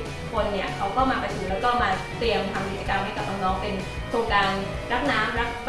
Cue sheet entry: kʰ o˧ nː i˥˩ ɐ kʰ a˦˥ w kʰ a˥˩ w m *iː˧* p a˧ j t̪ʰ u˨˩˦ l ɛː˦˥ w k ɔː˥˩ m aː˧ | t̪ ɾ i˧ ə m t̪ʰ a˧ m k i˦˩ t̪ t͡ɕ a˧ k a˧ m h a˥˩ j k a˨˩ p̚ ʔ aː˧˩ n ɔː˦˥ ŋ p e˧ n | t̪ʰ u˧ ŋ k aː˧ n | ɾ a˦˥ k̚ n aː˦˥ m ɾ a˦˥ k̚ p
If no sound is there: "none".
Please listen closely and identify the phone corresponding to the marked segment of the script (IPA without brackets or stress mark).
aː˧